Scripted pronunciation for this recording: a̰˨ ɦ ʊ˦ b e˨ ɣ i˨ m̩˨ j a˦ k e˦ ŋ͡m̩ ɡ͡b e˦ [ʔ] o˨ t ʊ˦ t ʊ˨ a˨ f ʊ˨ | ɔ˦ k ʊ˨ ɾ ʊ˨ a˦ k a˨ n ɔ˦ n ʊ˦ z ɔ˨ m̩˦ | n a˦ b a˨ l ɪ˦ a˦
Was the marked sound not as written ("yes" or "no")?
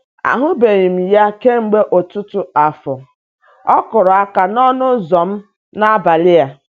no